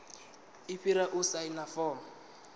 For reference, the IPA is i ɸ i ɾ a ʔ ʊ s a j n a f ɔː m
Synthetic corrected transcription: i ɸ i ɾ a ʔ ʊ s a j n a f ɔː m